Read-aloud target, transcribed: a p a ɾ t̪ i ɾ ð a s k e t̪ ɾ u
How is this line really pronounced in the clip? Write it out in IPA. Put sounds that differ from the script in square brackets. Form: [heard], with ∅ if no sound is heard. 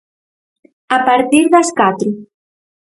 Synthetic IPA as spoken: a p a ɾ t̪ i ɾ ð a s k [a] t̪ ɾ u